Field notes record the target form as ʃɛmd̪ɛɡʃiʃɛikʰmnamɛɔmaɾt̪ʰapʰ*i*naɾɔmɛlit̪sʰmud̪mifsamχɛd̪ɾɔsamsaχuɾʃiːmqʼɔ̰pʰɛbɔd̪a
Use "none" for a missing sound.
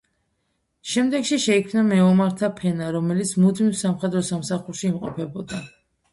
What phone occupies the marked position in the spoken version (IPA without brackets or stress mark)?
ɛ